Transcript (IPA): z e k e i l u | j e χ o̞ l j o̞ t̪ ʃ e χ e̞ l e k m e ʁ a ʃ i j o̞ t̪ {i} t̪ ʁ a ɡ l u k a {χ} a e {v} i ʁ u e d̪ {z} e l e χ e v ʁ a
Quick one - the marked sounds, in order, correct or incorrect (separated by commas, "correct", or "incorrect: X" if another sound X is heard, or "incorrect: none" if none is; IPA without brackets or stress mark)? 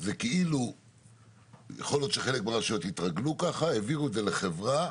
correct, correct, correct, correct